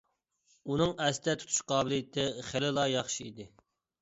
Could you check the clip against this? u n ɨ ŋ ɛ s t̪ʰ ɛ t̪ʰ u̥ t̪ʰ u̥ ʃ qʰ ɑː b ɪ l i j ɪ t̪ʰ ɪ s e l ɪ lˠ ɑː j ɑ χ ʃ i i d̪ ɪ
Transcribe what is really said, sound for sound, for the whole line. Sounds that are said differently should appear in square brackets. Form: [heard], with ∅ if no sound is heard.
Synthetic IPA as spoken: u n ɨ ŋ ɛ s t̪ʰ ɛ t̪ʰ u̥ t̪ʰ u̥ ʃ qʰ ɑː b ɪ l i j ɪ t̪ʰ ɪ [χ] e l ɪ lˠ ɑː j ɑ χ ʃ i i d̪ ɪ